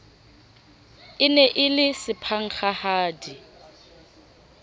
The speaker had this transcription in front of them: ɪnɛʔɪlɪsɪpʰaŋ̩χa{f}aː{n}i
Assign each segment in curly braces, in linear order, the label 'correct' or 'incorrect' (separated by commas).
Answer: incorrect, incorrect